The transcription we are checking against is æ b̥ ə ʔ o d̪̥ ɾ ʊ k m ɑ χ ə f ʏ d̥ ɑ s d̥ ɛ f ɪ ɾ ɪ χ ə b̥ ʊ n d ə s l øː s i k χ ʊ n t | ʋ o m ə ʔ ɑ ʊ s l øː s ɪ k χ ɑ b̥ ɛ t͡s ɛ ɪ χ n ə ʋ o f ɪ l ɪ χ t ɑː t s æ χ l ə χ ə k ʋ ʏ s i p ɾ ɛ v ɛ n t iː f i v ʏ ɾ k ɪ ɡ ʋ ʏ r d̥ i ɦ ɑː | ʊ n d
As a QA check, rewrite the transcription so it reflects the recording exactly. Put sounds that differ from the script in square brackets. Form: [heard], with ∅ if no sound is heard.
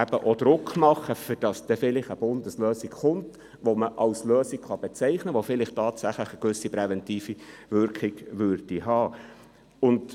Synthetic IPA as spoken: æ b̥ ə ʔ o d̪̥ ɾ ʊ k m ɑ χ ə f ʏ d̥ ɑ s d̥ ɛ f ɪ [l] ɪ χ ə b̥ ʊ n d ə s l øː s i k χ ʊ n t | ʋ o m ə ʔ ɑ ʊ s l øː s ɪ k χ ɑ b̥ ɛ t͡s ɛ ɪ χ n ə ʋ o f ɪ l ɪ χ t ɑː t s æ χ l ə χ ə k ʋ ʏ s i p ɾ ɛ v ɛ n t iː f i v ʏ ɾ k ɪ ɡ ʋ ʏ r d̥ i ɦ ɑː | ʊ n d